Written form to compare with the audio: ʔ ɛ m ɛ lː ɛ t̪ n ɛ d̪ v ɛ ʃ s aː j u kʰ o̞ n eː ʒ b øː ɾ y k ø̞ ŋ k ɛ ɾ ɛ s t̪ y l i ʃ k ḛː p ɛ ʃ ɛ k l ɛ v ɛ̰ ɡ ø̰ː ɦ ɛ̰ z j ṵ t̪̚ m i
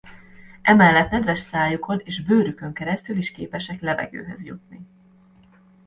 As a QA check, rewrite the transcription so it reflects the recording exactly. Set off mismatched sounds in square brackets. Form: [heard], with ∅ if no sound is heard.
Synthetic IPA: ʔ ɛ m ɛ lː ɛ t̪ n ɛ d̪ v ɛ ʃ s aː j u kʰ o̞ n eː ʒ b øː ɾ y k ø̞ ŋ k ɛ ɾ ɛ s t̪ y l i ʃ k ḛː p ɛ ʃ ɛ k l ɛ v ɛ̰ ɡ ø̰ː ɦ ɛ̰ z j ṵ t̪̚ [n] i

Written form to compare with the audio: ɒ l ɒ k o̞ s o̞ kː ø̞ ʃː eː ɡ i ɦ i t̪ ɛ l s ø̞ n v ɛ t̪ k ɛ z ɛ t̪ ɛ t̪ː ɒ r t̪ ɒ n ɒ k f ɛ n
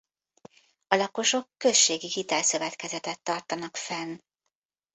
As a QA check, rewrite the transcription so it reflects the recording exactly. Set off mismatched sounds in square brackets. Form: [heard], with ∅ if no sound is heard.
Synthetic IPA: ɒ l ɒ k o̞ [ʃ] o̞ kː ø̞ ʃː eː ɡ i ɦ i t̪ ɛ l s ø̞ [∅] v ɛ t̪ k ɛ z ɛ t̪ ɛ t̪ː ɒ r t̪ ɒ n ɒ k f ɛ n

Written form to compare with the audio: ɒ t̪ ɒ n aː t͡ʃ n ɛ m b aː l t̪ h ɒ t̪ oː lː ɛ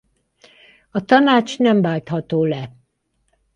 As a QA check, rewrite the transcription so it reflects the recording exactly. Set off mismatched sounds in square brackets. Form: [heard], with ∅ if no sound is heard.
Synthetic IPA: ɒ t̪ ɒ n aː t͡ʃ n ɛ m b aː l t̪ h ɒ t̪ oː [l] ɛ

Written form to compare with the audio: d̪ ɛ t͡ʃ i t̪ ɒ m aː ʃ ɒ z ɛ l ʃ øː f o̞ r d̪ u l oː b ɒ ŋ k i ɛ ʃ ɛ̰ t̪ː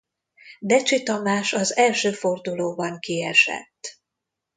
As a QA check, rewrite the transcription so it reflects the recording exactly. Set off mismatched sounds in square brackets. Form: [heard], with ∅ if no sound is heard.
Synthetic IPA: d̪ ɛ t͡ʃ i t̪ ɒ m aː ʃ ɒ z ɛ l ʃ øː f o̞ r d̪ u l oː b ɒ ŋ k i ɛ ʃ ɛ̰ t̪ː

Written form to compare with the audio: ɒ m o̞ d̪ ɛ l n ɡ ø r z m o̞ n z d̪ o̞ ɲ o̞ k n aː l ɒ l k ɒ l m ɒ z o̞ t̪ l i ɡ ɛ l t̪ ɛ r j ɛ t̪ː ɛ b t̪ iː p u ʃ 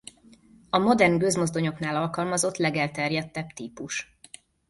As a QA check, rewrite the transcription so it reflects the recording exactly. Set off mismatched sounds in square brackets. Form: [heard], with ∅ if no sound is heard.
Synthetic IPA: ɒ m o̞ d̪ ɛ [r] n ɡ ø [∅] z m o̞ [∅] z d̪ o̞ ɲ o̞ k n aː l ɒ l k ɒ l m ɒ z o̞ t̪ l [ɛ] ɡ ɛ l t̪ ɛ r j ɛ t̪ː ɛ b t̪ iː p u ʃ

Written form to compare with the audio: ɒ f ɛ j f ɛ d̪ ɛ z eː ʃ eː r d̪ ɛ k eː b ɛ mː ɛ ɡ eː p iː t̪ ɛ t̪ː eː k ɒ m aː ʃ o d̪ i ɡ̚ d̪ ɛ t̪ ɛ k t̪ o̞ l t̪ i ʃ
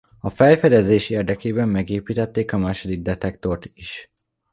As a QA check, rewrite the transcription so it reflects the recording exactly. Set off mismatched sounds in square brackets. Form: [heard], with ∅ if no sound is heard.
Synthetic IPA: ɒ f ɛ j f ɛ d̪ ɛ z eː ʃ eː r d̪ ɛ k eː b ɛ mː ɛ ɡ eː p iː t̪ ɛ t̪ː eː k ɒ m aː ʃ o d̪ i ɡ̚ d̪ ɛ t̪ ɛ k t̪ o̞ [r] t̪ i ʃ

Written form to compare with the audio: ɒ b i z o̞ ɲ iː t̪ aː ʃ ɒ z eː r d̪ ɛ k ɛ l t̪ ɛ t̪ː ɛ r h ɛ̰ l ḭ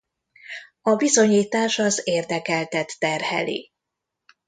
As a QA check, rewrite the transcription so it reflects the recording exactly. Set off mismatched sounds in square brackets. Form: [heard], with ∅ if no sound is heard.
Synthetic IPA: ɒ b i z o̞ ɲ iː t̪ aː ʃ ɒ z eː r d̪ ɛ k ɛ l t̪ ɛ t̪ː ɛ r h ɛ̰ l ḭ

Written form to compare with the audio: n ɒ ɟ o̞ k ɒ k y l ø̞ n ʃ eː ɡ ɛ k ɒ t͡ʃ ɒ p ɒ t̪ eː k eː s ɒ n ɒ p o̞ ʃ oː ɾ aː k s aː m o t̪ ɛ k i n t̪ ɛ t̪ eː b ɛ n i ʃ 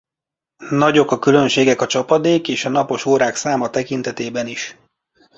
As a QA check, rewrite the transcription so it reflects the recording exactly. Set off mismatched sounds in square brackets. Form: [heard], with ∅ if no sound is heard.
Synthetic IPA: n ɒ ɟ o̞ k ɒ k y l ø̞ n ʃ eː ɡ ɛ k ɒ t͡ʃ ɒ p ɒ [d̪] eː k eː [ʃ] ɒ n ɒ p o̞ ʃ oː ɾ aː k s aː m [ɒ] t̪ ɛ k i n t̪ ɛ t̪ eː b ɛ n i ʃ

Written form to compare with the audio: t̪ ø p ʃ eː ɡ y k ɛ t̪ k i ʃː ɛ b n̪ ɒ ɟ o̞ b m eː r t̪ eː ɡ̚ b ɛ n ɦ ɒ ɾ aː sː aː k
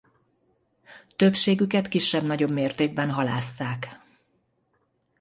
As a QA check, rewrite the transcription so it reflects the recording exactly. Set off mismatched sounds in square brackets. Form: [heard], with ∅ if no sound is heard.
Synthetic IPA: t̪ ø p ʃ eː ɡ y k ɛ t̪ k i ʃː ɛ b n̪ ɒ ɟ o̞ b m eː r t̪ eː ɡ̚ b ɛ n ɦ ɒ [l] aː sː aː k

